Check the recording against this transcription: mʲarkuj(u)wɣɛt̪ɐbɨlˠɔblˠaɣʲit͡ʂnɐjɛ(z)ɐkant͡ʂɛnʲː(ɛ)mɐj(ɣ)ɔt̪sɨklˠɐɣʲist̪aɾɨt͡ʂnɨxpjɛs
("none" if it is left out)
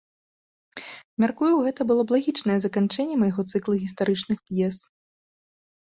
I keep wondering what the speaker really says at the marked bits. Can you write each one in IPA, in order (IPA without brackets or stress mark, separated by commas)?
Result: u, z, ɛ, ɣ